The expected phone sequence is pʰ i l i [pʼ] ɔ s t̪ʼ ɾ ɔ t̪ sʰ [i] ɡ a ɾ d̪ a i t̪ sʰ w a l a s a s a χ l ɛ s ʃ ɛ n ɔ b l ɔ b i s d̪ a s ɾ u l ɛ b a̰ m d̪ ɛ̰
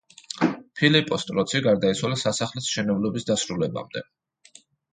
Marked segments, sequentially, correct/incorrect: correct, correct

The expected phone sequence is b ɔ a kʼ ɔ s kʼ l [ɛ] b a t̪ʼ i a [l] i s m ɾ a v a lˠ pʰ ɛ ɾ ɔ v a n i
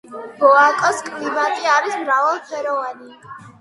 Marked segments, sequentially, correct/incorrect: incorrect, incorrect

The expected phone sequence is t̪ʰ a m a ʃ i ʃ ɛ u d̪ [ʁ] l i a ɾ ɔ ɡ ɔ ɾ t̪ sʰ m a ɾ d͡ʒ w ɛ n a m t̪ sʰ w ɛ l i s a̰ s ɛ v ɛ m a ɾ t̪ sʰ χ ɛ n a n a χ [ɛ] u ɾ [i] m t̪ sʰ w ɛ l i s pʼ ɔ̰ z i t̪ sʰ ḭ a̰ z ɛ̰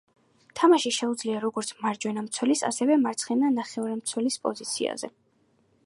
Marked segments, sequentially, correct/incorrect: incorrect, correct, incorrect

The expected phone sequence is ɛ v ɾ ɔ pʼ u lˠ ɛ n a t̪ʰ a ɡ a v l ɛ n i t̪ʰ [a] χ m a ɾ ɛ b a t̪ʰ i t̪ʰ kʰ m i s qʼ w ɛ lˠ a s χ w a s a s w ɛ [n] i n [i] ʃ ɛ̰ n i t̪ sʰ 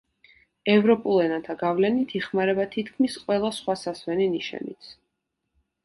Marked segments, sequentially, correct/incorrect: incorrect, correct, correct

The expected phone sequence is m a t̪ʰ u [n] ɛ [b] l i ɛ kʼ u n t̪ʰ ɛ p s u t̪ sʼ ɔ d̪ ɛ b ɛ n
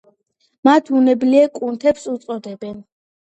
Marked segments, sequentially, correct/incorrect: correct, correct

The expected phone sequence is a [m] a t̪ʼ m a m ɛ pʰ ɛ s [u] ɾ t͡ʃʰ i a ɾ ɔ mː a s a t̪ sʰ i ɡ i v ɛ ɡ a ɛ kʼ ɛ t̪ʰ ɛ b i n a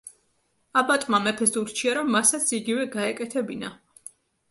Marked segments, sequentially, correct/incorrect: incorrect, correct

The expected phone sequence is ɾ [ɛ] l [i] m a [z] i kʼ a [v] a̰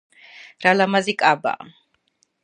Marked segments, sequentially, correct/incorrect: incorrect, incorrect, correct, incorrect

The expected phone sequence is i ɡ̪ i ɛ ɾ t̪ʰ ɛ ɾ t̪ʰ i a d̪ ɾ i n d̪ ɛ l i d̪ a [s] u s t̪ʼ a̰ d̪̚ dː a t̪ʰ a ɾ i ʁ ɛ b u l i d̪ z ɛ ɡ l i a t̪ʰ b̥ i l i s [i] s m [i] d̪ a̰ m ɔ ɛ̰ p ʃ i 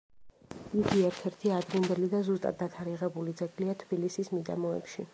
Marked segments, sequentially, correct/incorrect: incorrect, correct, correct

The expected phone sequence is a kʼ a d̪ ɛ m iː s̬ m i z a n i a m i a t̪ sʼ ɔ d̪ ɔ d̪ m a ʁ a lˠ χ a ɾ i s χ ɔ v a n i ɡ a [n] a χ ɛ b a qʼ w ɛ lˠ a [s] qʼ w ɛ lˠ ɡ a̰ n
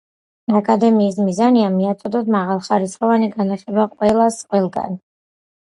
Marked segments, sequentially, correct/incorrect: correct, correct

